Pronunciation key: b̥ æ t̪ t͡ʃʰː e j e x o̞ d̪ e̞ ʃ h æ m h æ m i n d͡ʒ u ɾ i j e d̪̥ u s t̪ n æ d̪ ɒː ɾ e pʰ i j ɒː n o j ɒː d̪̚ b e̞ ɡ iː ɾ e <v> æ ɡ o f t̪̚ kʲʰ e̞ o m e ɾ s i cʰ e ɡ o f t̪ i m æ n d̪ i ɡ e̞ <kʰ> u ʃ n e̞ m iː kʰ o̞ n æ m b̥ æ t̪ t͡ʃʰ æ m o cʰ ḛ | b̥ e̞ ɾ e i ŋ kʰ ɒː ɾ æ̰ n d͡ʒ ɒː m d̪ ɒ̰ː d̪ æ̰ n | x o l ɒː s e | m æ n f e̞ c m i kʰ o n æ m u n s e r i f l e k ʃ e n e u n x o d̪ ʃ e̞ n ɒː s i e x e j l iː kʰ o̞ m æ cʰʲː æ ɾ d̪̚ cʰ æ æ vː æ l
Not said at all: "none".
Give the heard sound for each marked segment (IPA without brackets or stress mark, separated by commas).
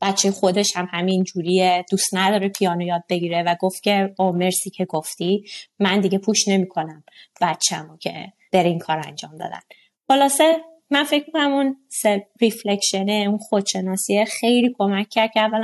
v, pʰ